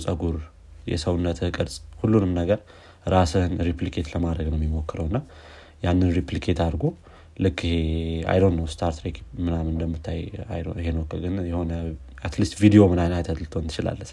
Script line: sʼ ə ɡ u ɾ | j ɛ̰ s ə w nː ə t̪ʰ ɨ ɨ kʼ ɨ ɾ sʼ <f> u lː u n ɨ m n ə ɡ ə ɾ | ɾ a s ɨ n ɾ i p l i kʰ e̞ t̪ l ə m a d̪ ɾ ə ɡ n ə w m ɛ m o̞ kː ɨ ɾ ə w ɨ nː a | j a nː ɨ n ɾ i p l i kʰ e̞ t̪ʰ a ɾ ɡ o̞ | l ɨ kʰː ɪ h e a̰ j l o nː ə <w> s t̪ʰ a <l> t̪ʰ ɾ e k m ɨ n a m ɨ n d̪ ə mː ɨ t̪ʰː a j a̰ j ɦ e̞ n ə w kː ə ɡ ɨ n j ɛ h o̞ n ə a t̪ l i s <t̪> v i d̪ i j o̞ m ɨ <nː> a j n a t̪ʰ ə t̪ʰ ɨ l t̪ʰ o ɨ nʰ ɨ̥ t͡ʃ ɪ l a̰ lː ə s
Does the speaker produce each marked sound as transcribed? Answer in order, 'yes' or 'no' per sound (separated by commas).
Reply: no, yes, no, yes, no